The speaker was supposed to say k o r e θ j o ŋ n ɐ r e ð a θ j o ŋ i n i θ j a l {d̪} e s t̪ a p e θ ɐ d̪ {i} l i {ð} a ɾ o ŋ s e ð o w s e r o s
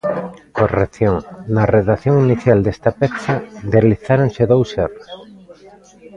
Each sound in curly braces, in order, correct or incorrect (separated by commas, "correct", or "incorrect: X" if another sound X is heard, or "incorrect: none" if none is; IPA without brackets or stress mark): correct, incorrect: e, incorrect: θ